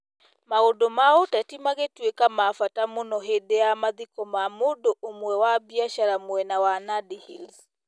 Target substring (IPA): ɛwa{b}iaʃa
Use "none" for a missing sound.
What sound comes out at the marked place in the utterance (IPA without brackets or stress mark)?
b